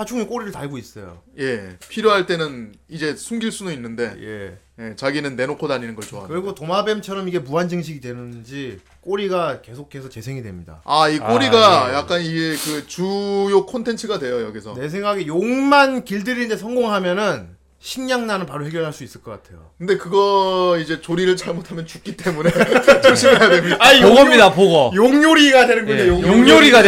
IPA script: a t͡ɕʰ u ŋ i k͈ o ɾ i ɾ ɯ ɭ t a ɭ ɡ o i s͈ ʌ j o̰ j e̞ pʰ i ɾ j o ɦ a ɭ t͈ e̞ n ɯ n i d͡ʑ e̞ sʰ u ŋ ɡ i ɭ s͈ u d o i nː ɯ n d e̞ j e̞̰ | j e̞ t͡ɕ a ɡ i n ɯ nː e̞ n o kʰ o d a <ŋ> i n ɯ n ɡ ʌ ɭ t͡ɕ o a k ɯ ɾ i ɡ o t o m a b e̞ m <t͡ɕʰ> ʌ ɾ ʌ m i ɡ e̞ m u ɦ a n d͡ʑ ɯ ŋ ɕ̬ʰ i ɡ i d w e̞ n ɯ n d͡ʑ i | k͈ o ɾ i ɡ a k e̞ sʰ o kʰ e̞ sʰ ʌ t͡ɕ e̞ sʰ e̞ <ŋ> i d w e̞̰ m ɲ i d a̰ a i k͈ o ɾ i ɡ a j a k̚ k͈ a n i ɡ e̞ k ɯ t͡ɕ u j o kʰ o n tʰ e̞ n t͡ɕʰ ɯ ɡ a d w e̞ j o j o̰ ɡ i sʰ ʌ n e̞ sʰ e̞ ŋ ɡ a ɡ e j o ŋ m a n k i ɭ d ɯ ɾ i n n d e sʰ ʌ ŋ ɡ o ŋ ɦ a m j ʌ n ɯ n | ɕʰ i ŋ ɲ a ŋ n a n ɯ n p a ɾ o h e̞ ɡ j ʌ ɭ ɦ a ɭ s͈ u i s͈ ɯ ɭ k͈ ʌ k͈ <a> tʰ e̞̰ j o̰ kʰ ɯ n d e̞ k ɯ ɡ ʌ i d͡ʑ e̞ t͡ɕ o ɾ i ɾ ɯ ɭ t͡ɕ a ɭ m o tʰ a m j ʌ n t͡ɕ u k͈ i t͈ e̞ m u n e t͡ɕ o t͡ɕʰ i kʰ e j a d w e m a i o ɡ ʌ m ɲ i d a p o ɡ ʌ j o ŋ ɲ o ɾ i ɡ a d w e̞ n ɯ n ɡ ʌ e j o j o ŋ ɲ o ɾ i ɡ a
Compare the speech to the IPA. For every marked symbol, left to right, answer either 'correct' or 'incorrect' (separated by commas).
incorrect, correct, correct, correct